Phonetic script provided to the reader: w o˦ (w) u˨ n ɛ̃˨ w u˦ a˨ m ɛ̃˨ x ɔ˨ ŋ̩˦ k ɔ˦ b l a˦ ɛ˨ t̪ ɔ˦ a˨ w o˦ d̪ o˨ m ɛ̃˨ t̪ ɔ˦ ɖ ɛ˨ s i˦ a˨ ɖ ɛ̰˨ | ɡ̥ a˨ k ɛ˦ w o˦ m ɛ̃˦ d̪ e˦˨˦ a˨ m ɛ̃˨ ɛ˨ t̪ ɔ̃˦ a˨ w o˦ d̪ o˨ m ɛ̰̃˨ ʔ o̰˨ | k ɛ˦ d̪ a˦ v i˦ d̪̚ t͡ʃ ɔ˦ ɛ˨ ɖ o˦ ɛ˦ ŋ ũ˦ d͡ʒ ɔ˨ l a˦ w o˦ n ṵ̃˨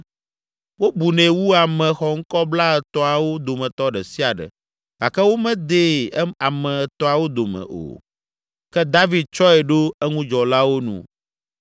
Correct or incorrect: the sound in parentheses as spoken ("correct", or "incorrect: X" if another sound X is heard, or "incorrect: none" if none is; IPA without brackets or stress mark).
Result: incorrect: b